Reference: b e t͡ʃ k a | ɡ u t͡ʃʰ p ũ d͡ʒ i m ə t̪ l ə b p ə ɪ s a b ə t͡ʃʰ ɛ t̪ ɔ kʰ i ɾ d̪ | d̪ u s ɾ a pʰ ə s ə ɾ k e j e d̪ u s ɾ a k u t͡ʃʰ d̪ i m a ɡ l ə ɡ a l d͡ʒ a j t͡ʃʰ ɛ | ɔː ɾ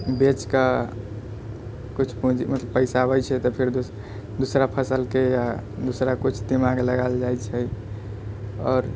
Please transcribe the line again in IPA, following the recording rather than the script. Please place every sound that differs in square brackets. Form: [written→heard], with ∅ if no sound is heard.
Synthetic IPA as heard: b e t͡ʃ k a | [ɡ→k] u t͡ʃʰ p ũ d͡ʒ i m ə t̪ l ə b p ə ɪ s a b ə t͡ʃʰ ɛ t̪ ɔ [kʰ→pʰ] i ɾ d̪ | d̪ u s ɾ a pʰ ə s ə [ɾ→l] k e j [e→a] d̪ u s ɾ a k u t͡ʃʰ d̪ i m a ɡ l ə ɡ a l d͡ʒ a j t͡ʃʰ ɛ | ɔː ɾ